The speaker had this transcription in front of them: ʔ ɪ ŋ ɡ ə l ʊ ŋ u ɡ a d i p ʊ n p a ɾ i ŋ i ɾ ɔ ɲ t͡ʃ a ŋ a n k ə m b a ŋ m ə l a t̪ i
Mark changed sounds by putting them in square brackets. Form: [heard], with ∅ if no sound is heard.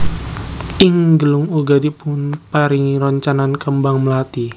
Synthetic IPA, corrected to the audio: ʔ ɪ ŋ ɡ ə l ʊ ŋ u ɡ a d i p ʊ n p a ɾ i ŋ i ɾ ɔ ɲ t͡ʃ a [n] a n k ə m b a ŋ m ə l a t̪ i